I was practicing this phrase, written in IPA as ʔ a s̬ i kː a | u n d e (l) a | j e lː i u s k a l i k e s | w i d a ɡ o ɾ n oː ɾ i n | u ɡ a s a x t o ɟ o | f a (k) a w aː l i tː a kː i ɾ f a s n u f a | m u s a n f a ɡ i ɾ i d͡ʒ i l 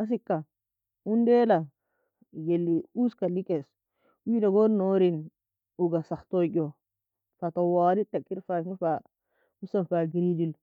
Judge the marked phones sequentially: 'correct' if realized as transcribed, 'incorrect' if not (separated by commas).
correct, incorrect